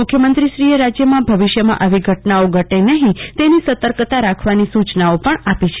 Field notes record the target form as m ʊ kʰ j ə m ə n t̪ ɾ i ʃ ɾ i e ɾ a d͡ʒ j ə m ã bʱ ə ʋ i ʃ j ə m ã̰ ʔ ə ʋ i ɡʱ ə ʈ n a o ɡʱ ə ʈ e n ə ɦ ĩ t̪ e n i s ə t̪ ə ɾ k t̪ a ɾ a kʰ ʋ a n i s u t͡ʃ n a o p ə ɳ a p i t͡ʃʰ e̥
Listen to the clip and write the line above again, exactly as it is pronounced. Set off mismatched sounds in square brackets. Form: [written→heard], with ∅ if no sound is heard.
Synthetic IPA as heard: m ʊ kʰ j ə m ə n t̪ ɾ i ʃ ɾ i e ɾ a d͡ʒ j ə m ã bʱ ə ʋ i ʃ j ə m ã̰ ʔ ə ʋ i ɡʱ ə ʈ n a o ɡʱ ə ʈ e n ə ɦ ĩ t̪ e n i s ə t̪ ə ɾ k t̪ a ɾ a kʰ ʋ a n i s u t͡ʃ n a o p ə ɳ a p i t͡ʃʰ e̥